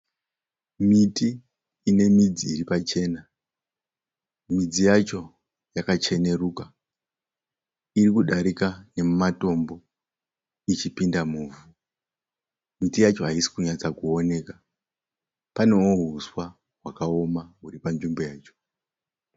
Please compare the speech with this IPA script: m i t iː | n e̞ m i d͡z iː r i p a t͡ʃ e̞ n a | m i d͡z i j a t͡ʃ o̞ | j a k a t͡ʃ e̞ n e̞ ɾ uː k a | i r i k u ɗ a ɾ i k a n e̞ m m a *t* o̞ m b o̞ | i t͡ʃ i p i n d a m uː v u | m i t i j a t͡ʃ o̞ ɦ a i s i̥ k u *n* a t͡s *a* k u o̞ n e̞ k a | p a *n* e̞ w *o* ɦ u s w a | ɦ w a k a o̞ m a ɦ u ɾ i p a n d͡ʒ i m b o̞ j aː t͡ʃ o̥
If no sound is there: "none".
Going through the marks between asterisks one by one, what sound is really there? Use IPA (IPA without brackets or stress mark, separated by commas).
t, ɲ, a, n, o